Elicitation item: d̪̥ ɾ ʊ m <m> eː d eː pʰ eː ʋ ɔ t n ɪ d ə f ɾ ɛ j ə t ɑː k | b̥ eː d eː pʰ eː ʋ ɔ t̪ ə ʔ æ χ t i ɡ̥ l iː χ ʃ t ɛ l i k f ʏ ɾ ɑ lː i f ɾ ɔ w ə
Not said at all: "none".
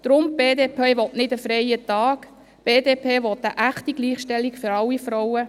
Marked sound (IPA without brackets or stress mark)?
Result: b